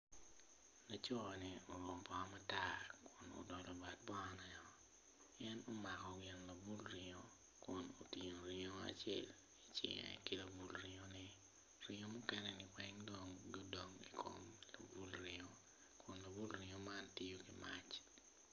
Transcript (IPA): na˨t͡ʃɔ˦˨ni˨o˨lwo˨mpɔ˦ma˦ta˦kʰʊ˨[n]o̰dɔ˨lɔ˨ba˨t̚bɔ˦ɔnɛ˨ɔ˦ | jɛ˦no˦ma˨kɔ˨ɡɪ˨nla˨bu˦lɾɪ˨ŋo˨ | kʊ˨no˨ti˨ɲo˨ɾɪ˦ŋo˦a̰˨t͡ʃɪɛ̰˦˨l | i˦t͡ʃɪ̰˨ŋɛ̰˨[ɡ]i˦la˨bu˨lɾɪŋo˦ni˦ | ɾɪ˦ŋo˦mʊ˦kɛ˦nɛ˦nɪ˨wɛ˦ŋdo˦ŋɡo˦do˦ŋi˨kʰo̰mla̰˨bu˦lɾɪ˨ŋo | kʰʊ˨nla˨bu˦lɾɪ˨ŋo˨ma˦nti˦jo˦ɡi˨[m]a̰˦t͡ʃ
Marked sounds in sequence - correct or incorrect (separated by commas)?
correct, incorrect, correct